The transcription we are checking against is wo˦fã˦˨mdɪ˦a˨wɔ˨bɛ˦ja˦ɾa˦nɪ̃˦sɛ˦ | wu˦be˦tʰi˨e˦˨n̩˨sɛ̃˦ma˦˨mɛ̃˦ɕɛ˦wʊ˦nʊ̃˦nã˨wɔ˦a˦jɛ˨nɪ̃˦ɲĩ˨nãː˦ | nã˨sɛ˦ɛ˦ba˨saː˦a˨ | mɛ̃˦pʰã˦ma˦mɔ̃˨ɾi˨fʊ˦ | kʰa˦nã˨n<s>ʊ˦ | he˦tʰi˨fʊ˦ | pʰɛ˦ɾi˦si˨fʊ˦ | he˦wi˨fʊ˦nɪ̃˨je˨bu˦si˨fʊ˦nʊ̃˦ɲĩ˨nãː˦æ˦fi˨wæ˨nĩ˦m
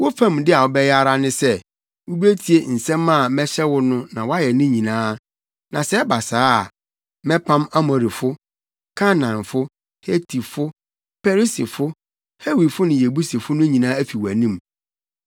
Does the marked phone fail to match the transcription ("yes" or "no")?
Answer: yes